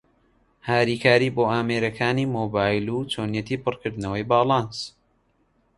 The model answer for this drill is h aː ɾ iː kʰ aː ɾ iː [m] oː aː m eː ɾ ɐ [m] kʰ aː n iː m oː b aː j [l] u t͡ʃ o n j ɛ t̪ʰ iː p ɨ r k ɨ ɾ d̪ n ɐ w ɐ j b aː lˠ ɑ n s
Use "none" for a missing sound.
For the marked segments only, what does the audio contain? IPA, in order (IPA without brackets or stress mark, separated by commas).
b, none, l